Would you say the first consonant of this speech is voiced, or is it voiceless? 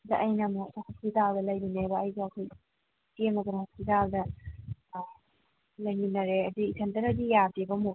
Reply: voiced